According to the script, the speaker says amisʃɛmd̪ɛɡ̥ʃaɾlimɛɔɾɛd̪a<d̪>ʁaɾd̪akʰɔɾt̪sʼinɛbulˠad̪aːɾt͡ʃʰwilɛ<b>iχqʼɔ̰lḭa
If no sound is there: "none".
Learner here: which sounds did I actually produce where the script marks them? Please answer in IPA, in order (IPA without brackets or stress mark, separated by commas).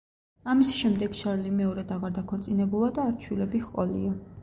none, b